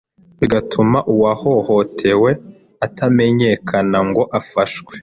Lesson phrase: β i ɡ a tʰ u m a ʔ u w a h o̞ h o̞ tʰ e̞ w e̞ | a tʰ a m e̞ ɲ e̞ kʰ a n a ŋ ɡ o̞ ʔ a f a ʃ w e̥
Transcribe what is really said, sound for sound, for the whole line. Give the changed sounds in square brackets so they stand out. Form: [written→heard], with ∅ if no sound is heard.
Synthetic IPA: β i ɡ a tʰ u m a ʔ u w a h o̞ h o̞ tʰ e̞ w e̞ | a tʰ a m e̞ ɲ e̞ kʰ a n a ŋ ɡ o̞ ʔ a f a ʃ w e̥